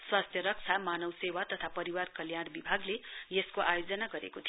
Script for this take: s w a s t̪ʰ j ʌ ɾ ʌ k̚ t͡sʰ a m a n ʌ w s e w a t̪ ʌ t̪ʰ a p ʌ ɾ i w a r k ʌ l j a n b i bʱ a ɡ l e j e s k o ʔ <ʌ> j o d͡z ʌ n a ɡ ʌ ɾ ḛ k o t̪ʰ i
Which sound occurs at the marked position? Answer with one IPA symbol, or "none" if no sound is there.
a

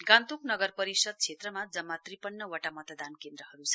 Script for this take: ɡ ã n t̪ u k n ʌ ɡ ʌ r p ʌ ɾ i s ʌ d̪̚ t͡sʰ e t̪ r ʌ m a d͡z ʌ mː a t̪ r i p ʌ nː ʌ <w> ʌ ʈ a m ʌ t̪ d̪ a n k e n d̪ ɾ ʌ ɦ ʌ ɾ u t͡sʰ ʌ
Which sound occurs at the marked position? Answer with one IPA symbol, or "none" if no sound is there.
w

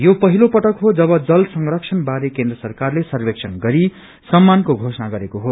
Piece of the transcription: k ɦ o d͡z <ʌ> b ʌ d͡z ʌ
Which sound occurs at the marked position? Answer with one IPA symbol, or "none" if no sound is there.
ʌ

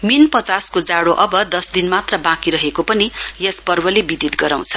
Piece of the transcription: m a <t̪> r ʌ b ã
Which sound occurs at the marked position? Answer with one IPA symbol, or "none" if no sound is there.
t̪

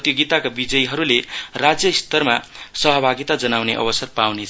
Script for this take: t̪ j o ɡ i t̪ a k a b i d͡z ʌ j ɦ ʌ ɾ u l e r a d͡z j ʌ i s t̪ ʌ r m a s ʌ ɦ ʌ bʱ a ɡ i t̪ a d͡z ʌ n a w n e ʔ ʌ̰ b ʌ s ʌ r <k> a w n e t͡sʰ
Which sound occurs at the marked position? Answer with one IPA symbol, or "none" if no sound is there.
p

